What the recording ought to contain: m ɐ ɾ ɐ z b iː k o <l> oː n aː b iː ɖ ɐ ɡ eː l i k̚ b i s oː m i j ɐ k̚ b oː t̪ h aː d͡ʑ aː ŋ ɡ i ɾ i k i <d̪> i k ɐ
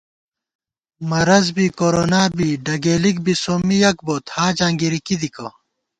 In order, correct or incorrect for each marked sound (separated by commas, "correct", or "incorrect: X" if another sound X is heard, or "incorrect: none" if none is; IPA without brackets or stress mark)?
incorrect: ɾ, correct